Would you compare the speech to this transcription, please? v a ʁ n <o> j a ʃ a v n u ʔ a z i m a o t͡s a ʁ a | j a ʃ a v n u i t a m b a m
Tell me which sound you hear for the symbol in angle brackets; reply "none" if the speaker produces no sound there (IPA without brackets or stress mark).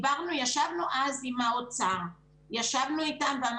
u